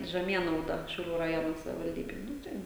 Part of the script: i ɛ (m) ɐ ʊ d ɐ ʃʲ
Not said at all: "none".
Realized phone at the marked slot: n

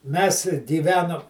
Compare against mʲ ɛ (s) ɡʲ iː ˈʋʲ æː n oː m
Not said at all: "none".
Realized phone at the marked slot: s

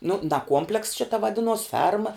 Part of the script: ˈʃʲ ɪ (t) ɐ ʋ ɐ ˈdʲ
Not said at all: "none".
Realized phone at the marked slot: t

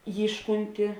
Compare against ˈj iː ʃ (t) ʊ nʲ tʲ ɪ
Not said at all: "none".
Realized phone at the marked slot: k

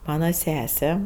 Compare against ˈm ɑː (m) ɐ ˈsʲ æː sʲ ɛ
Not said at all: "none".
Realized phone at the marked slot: n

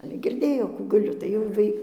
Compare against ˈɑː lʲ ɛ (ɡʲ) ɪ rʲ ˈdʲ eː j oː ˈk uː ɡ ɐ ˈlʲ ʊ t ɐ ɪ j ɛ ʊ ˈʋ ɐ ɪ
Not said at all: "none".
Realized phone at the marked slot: ɡʲ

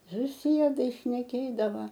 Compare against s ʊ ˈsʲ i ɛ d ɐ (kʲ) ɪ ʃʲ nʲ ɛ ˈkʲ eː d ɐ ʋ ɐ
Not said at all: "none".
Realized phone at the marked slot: none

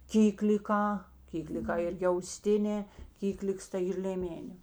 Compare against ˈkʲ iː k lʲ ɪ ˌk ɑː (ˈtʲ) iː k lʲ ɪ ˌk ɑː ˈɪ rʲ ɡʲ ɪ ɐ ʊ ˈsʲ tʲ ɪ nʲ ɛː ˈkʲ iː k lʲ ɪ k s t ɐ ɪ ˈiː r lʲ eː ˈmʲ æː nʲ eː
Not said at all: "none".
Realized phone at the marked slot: kʲ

